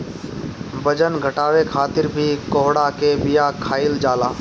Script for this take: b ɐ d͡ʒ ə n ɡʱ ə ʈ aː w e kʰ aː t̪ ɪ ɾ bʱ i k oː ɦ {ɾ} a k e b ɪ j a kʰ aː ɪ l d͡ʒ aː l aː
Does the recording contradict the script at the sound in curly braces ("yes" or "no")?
yes